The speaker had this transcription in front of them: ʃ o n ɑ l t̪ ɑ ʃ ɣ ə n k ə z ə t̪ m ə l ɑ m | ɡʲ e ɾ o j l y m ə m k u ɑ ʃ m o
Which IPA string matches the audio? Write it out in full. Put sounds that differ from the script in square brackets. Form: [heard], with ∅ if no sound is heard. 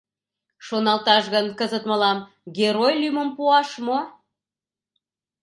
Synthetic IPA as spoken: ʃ o n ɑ l t̪ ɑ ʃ ɣ ə n k ə z ə t̪ m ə l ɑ m | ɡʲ e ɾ o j l y m ə m [p] u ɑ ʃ m o